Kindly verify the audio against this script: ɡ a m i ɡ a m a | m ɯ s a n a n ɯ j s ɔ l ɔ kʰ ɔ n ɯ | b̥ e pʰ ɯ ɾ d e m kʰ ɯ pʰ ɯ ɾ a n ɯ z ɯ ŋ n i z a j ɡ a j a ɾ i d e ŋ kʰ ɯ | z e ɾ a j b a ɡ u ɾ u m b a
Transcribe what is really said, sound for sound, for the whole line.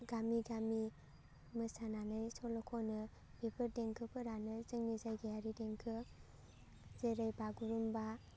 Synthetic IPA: ɡ a m i ɡ a m i | m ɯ s a n a n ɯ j s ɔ l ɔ kʰ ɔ n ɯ | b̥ e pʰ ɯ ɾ d e ŋ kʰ ɯ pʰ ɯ ɾ a n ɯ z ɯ ŋ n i z a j ɡ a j a ɾ i d e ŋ kʰ ɯ | z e ɾ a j b a ɡ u ɾ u m b a